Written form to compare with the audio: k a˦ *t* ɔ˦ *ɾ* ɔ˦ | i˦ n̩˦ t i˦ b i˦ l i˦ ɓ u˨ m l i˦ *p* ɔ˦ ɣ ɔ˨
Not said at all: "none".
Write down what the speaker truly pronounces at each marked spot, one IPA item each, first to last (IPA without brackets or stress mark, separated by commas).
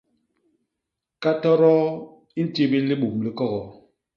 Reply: t, ɾ, k